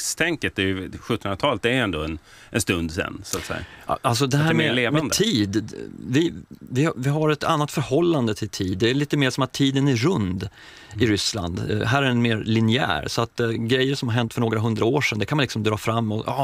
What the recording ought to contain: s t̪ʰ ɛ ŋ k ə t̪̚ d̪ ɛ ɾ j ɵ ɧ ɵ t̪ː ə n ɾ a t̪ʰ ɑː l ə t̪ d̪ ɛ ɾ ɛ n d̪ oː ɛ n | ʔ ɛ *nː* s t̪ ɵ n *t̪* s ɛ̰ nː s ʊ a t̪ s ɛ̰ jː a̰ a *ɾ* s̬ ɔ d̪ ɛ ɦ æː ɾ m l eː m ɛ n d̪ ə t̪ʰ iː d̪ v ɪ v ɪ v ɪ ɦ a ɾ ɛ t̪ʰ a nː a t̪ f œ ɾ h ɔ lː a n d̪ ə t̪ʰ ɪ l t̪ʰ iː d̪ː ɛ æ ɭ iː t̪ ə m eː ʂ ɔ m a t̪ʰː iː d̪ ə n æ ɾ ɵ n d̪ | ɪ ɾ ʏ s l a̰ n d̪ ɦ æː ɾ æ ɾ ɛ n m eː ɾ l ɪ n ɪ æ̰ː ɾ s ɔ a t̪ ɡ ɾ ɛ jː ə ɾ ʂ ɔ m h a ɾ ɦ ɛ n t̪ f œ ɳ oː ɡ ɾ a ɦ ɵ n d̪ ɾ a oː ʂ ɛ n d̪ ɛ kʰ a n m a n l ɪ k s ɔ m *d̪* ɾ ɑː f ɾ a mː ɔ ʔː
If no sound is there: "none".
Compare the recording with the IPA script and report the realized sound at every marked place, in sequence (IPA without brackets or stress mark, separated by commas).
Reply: n, d̪, l, d̪